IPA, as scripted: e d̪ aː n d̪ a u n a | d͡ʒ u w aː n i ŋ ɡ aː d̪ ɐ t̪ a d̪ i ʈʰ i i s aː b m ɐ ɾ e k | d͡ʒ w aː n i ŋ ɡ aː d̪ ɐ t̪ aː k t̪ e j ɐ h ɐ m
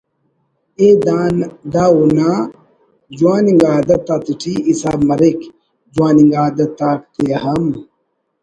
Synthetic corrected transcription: e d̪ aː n d̪ a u n a | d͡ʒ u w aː n i ŋ ɡ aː d̪ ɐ t̪ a t̪ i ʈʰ i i s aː b m ɐ ɾ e k | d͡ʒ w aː n i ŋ ɡ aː d̪ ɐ t̪ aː k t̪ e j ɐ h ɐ m